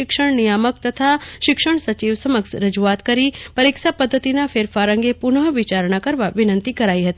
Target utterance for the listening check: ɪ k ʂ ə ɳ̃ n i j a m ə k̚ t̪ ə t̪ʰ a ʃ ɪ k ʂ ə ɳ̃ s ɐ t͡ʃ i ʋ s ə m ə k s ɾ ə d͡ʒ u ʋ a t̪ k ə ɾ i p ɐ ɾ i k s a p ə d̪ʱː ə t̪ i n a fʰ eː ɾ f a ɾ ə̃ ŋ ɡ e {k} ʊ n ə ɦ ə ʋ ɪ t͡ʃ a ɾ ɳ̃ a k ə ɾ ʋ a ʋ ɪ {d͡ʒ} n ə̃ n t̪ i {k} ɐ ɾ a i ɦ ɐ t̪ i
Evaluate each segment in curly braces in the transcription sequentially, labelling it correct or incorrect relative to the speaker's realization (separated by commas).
incorrect, incorrect, correct